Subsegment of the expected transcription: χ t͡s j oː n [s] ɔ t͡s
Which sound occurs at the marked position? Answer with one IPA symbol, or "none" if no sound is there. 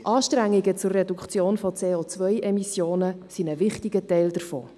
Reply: f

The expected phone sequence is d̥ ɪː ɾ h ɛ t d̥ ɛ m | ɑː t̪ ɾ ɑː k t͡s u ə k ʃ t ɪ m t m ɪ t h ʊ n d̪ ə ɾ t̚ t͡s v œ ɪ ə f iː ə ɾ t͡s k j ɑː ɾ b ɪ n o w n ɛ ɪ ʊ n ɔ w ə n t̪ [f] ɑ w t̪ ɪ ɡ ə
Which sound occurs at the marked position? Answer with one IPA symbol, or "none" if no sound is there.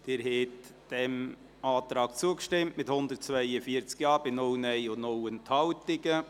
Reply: h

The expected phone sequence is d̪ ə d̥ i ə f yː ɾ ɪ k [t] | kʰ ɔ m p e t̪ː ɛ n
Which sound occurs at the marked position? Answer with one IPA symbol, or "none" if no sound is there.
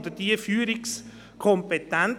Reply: s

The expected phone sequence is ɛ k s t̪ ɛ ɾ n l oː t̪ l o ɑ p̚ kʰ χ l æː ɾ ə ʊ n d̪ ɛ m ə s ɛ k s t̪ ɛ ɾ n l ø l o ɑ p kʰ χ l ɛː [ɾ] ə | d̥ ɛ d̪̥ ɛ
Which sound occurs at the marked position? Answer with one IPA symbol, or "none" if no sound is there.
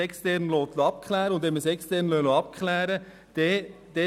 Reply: ɾ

